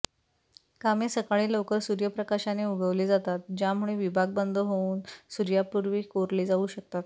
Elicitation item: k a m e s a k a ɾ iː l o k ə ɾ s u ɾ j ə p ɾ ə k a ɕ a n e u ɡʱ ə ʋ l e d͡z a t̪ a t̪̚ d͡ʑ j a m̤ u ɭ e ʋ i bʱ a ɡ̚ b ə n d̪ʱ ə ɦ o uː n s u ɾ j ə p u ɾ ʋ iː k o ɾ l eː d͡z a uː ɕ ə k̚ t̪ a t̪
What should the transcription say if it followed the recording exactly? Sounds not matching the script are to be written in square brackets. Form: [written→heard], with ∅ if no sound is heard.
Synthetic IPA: k a m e s [a→ə] k a [ɾ→ɭ] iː l o k ə ɾ s u ɾ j ə p ɾ ə k a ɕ a n e u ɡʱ ə ʋ l e d͡z a t̪ a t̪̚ d͡ʑ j a m̤ u ɭ e ʋ i bʱ a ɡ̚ b ə n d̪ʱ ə ɦ o uː n s u ɾ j [ə→a] p u ɾ ʋ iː k o ɾ l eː d͡z a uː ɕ ə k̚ t̪ a t̪

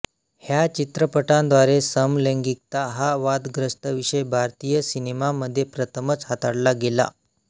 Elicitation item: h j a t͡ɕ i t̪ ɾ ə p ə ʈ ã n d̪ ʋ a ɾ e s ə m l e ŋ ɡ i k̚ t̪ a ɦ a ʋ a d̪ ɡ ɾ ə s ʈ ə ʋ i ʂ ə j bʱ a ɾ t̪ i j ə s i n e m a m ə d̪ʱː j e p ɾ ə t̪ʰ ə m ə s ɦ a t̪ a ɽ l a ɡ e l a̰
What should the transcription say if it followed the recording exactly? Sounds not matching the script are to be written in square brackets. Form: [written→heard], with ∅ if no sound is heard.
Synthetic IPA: h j a t͡ɕ i t̪ ɾ ə p ə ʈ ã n d̪ ʋ a ɾ e s ə m l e ŋ ɡ i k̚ t̪ a ɦ a ʋ a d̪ ɡ ɾ ə s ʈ ə ʋ i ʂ ə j bʱ a ɾ t̪ i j ə s i n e m a m ə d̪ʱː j e p ɾ ə t̪ʰ ə m ə [s→t͡s] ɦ a t̪ a ɽ l a ɡ e l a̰

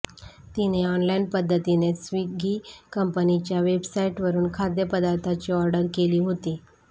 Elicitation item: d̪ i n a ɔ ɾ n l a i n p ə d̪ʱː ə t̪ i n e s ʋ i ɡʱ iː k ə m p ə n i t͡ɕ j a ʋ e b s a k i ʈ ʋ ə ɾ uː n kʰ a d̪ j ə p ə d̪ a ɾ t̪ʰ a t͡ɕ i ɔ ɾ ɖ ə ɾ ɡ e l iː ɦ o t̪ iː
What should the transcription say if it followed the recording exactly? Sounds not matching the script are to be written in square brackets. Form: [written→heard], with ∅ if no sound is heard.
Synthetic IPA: [d̪→t̪] i n [a→e] ɔ [ɾ→∅] n l a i n p ə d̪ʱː ə t̪ i n e s ʋ i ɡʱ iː k ə m p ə n i t͡ɕ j a ʋ e b s a [k→∅] i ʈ ʋ ə ɾ uː n kʰ a d̪ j ə p ə d̪ a ɾ t̪ʰ a t͡ɕ i ɔ ɾ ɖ ə ɾ [ɡ→k] e l iː ɦ o t̪ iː

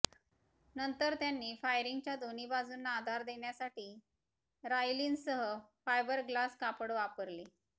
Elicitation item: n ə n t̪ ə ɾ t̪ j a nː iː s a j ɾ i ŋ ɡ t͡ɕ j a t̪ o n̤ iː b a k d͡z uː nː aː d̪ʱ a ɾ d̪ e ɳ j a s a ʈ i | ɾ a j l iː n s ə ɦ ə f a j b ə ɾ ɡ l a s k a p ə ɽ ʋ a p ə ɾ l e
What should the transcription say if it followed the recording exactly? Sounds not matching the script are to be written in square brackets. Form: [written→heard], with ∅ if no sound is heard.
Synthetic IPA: n ə n t̪ ə ɾ t̪ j a nː iː [s→f] a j ɾ i ŋ ɡ t͡ɕ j a [t̪→d̪] o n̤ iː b a [k→∅] d͡z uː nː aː d̪ʱ a ɾ d̪ e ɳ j a s a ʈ [i→iː] | ɾ a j l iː n s ə ɦ ə f a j b ə ɾ ɡ l a s k a p ə ɽ ʋ a p ə ɾ l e

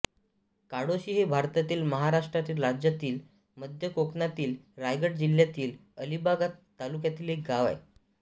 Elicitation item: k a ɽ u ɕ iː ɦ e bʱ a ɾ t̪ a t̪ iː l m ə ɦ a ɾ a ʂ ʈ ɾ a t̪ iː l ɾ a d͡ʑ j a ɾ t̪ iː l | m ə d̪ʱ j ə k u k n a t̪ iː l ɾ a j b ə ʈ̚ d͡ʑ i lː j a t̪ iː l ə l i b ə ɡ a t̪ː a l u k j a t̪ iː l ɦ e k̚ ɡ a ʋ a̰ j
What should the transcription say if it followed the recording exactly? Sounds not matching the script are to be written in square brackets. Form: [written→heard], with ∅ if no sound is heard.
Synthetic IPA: k a ɽ [u→o] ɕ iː ɦ e bʱ a ɾ t̪ a t̪ iː l m ə ɦ a ɾ a ʂ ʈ ɾ a t̪ iː l ɾ a d͡ʑ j a [ɾ→∅] t̪ iː l | m ə d̪ʱ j ə k [u→o] k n a t̪ iː l ɾ a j [b→ɡ] ə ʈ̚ d͡ʑ i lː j a t̪ iː l ə l i b [ə→a] ɡ a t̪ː a l u k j a t̪ iː l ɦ e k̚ ɡ a ʋ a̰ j

